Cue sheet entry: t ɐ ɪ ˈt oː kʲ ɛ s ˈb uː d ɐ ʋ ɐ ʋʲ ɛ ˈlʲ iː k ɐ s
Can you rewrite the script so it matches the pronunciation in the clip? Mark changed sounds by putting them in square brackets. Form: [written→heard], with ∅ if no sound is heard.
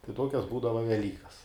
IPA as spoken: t ɐ ɪ ˈt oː kʲ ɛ s ˈb uː d ɐ ʋ ɐ ʋʲ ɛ ˈlʲ iː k ɐ s